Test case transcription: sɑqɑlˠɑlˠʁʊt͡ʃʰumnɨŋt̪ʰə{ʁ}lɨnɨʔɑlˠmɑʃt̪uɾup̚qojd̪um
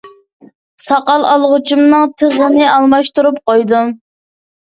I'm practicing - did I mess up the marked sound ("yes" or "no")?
no